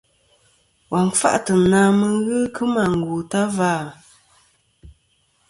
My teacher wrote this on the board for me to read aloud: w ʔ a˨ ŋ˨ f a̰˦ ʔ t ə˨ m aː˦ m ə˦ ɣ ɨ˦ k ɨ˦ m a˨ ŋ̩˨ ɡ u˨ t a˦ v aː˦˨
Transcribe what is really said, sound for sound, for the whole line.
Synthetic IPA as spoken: w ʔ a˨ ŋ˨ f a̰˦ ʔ t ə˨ n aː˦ m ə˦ ɣ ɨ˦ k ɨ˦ m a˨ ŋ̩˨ ɡ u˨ t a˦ v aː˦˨